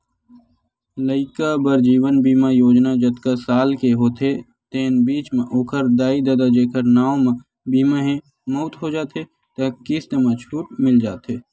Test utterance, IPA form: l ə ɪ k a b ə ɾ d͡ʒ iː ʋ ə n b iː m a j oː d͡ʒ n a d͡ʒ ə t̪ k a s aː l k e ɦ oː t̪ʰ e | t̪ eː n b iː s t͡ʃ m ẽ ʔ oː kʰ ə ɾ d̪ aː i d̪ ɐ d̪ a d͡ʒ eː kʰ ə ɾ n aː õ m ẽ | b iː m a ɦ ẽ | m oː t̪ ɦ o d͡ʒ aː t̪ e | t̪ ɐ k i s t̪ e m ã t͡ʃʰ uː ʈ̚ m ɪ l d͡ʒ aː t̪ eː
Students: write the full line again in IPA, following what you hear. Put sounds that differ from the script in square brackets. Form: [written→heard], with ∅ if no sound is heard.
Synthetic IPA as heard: l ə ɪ k a b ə ɾ d͡ʒ iː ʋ ə n b iː m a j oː d͡ʒ n a d͡ʒ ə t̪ k a s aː l k e ɦ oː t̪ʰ e | t̪ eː n b iː [s→∅] t͡ʃ m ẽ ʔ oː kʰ ə ɾ d̪ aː i d̪ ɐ d̪ a d͡ʒ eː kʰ ə ɾ n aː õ m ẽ | b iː m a ɦ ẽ | m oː t̪ ɦ o d͡ʒ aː t̪ e | t̪ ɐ k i s t̪ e m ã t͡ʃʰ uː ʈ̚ m ɪ l d͡ʒ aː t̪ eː